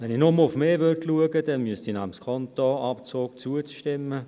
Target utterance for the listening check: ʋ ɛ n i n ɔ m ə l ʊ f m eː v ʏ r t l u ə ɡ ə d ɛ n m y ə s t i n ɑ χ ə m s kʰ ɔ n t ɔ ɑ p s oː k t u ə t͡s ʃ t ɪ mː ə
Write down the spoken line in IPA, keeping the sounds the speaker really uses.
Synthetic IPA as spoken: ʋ ɛ n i n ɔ m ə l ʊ f m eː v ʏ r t l u ə ɡ ə d ɛ n m y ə s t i n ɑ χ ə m s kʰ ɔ n t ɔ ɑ p t͡s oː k t͡s u ə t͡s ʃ t ɪ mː ə